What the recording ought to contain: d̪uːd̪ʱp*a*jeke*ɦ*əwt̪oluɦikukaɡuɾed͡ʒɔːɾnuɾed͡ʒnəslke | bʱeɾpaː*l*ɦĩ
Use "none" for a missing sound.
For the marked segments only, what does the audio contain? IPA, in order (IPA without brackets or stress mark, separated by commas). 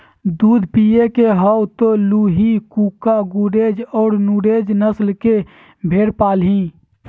i, ɦ, l